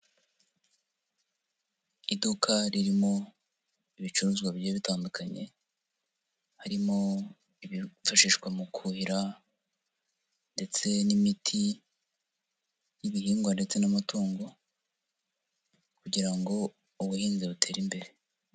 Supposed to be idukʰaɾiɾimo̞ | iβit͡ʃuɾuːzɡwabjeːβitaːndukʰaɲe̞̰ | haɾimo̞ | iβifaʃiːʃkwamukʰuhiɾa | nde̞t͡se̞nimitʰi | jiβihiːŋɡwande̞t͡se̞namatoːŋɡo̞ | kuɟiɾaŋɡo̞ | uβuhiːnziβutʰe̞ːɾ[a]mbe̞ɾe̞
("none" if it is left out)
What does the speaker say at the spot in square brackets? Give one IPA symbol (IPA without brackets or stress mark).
i